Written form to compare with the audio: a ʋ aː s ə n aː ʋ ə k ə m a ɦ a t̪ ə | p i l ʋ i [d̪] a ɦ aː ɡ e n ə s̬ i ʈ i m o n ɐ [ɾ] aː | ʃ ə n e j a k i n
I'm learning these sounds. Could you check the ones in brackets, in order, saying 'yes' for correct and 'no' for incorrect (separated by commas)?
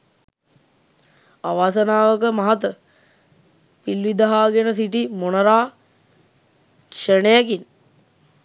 yes, yes